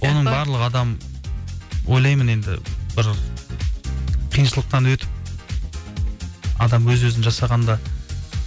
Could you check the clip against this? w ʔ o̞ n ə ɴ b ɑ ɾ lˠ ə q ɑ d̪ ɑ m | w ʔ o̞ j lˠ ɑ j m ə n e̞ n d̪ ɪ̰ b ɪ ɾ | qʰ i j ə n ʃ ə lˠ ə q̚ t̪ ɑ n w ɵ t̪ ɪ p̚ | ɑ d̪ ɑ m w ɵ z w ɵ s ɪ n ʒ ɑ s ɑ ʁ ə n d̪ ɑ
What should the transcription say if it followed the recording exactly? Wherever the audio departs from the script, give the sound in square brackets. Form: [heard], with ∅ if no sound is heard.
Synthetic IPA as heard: w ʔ o̞ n ə ɴ b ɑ ɾ lˠ ə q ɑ d̪ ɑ m | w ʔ o̞ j lˠ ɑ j m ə n e̞ n d̪ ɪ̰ b ɪ ɾ | qʰ i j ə n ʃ ə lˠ ə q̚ t̪ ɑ n w ɵ t̪ ɪ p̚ | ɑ d̪ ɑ m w ɵ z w ɵ [z] ɪ n ʒ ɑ s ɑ ʁ [ɑ] n d̪ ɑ